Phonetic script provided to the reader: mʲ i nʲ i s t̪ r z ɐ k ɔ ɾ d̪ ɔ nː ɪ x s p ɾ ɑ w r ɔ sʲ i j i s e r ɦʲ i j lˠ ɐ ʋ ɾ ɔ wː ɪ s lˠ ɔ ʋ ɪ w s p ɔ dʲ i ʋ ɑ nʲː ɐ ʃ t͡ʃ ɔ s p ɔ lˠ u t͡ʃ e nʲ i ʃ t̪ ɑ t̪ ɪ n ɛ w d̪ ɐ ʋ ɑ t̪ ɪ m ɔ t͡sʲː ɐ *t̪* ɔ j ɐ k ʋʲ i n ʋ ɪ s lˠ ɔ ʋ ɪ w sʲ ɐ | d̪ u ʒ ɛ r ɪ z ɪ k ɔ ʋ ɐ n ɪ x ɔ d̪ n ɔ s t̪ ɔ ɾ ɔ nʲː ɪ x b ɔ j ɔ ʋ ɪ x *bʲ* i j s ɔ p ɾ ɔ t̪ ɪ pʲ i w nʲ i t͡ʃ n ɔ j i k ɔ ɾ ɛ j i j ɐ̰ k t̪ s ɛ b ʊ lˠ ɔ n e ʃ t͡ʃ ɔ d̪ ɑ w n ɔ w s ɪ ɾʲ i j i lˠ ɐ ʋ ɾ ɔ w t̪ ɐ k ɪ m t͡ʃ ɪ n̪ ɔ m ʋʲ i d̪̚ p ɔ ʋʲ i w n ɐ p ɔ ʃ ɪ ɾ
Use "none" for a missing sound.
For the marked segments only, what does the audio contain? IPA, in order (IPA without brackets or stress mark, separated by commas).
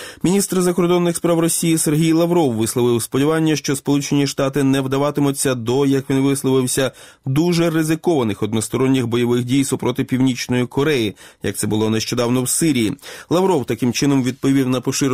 d̪, dʲ